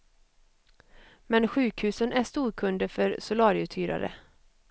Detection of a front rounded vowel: present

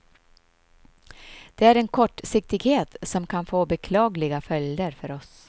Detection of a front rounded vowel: present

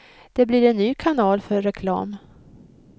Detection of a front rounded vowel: present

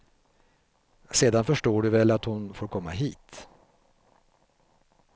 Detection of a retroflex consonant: present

